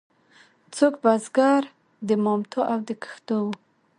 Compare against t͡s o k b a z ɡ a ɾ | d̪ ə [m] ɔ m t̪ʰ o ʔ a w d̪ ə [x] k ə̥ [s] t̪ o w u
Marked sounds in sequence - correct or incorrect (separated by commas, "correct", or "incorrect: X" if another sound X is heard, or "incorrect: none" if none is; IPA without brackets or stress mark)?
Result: correct, incorrect: none, incorrect: x